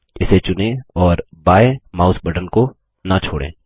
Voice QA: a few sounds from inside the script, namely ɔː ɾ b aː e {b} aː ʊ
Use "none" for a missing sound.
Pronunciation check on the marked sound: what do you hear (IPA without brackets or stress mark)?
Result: m